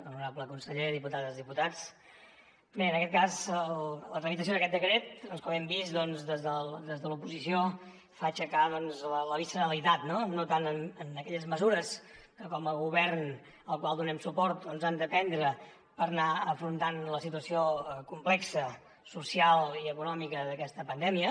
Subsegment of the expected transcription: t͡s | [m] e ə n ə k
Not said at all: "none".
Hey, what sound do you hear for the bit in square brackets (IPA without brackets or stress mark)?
b